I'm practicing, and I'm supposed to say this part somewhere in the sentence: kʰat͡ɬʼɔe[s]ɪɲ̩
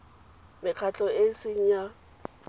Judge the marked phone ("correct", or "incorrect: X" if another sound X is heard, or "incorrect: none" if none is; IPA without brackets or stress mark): correct